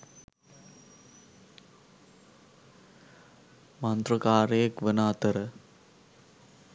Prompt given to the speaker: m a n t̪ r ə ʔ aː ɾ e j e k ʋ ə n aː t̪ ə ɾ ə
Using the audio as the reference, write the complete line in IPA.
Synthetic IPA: m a n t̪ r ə k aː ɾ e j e k ʋ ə n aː t̪ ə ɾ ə

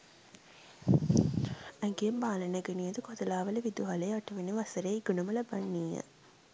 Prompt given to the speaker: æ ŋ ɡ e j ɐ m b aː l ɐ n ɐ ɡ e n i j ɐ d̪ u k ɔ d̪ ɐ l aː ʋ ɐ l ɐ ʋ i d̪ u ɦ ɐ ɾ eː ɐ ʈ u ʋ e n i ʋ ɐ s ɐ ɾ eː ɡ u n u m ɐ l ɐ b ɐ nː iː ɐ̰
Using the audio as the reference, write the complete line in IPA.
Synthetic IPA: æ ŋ ɡ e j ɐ m b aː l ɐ n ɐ ɡ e n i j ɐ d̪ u k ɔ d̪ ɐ l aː ʋ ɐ l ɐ ʋ i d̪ u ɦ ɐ l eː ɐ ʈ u ʋ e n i ʋ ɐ s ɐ ɾ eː ɡ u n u m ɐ l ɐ b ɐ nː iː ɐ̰

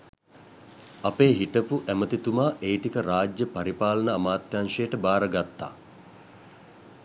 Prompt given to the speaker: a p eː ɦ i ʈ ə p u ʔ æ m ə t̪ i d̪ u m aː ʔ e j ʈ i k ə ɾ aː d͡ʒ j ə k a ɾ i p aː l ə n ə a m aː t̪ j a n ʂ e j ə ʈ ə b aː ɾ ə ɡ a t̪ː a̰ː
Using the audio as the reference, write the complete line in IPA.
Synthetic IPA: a p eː ɦ i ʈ ə p u ʔ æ m ə t̪ i t̪ u m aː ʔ e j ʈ i k ə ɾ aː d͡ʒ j ə p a ɾ i p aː l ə n ə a m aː t̪ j a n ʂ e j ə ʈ ə b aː ɾ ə ɡ a t̪ː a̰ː

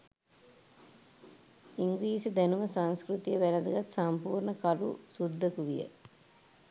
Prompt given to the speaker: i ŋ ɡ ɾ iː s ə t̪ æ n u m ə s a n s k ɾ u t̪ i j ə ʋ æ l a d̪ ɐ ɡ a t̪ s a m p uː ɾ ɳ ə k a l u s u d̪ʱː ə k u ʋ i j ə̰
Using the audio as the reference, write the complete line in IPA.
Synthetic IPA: i ŋ ɡ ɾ iː s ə d̪ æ n u m ə s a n s k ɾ u t̪ i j ə ʋ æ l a d̪ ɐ ɡ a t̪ s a m p uː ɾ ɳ ə k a l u s u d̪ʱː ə k u ʋ i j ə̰

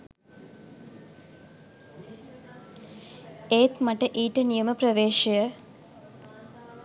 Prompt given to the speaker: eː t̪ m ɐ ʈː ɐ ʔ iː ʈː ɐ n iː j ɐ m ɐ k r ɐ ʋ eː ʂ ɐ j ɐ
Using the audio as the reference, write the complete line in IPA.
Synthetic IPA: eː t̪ m ɐ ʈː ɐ ʔ iː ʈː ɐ n i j ɐ m ɐ p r ɐ ʋ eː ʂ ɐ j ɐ

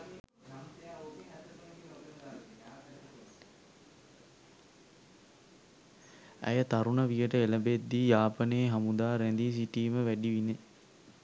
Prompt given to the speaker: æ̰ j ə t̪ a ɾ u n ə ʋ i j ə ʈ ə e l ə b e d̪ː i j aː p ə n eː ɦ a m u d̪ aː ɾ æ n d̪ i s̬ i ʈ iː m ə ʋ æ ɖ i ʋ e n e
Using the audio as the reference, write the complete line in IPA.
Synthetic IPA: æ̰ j ə t̪ a ɾ u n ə ʋ i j ə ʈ ə e l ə b e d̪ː i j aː p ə n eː ɦ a m u d̪ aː ɾ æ n d̪ i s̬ i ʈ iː m ə ʋ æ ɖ i ʋ i n e

